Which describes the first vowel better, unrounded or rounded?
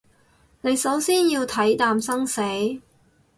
unrounded